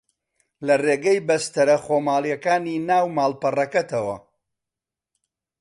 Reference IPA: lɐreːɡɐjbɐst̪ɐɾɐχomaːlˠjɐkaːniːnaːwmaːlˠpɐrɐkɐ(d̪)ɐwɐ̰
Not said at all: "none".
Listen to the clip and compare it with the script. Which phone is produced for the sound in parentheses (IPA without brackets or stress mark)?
t̪